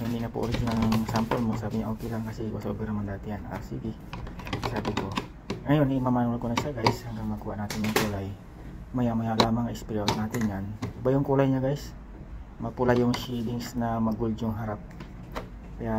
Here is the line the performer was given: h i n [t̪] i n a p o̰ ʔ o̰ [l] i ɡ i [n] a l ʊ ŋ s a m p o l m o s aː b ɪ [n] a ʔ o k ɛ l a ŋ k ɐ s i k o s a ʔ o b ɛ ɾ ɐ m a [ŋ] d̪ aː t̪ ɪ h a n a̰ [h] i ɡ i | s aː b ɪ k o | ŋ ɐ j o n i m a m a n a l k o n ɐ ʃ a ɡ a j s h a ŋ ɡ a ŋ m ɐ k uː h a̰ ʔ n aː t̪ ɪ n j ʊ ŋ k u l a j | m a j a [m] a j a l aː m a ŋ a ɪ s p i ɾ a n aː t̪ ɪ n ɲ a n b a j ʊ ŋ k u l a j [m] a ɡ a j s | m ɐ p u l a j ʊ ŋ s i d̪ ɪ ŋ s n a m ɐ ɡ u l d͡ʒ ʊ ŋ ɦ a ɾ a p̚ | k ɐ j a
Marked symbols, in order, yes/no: no, no, yes, no, no, no, yes, no

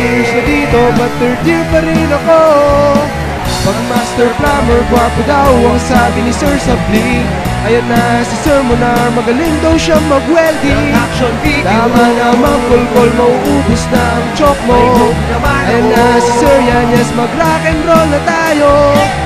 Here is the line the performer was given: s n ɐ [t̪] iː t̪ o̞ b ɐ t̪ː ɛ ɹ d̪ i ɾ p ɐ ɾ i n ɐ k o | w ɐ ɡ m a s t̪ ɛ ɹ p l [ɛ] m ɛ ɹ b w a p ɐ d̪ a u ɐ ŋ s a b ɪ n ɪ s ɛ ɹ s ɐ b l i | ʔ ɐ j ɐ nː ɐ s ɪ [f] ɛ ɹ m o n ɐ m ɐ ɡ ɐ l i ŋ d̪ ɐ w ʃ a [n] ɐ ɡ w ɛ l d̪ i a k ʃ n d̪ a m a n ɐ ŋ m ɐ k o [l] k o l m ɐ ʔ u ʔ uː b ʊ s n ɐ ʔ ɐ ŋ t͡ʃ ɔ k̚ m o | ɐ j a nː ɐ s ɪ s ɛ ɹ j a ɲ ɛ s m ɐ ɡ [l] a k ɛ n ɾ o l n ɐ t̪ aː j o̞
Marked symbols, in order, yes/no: no, no, no, no, yes, no

